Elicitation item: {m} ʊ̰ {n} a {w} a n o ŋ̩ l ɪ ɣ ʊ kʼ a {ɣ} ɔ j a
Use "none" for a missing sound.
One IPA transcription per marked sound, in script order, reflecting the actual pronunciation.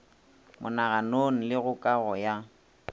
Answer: m, n, ɣ, ɣ

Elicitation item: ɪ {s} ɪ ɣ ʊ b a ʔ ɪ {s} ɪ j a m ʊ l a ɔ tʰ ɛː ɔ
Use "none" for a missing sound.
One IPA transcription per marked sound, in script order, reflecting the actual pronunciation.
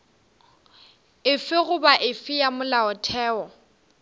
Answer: f, f

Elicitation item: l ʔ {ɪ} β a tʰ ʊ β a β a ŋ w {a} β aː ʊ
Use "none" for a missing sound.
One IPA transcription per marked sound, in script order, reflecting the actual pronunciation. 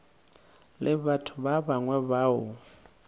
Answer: ɪ, ɛ

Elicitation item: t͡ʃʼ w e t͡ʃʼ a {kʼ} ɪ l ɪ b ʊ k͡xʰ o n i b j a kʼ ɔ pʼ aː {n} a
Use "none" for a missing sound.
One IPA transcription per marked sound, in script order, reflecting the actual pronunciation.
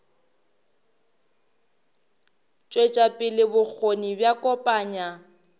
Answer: pʼ, ɲ

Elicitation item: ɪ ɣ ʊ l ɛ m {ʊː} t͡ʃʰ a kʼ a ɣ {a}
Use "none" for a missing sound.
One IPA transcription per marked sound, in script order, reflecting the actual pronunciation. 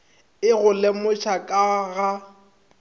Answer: ʊ, a

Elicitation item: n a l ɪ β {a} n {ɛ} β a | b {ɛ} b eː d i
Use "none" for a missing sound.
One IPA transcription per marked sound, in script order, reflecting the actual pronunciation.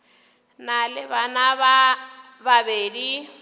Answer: a, a, a

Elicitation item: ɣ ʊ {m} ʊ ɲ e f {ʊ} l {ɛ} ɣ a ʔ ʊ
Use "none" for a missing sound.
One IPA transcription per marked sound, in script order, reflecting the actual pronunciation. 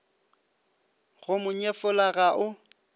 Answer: m, ʊ, a

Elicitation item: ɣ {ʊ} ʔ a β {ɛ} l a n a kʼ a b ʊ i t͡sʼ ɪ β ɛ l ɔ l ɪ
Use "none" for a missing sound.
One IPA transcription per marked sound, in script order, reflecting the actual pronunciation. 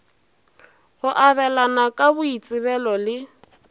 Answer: ʊ, ɛ

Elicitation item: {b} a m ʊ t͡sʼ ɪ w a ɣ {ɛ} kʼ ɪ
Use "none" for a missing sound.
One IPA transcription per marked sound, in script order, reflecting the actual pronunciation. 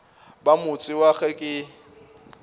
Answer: b, ɛ

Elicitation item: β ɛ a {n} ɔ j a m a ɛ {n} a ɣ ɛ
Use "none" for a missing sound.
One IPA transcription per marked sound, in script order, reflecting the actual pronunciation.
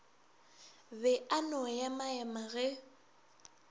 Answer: n, m

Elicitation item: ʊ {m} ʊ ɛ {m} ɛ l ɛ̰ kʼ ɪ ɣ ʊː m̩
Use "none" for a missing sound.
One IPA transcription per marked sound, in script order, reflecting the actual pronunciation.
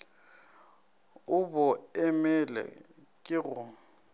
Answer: b, m

